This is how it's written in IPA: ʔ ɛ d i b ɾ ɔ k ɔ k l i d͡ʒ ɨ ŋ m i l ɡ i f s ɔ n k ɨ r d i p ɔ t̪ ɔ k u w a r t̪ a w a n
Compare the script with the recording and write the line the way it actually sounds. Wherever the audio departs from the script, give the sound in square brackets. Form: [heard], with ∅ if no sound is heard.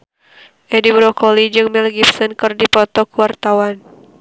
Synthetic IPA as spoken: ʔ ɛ d i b ɾ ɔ k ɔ [∅] l i d͡ʒ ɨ ŋ m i l ɡ i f s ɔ n k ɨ r d i p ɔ t̪ ɔ k u w a r t̪ a w a n